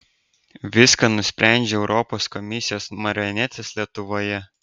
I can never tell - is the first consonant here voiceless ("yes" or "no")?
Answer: no